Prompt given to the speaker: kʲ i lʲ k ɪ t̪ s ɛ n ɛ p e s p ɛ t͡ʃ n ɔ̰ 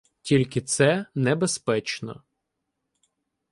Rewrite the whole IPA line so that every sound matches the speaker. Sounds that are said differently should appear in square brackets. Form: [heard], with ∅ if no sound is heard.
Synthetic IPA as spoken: [tʲ] i lʲ k ɪ t̪ s ɛ n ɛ [b] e s p ɛ t͡ʃ n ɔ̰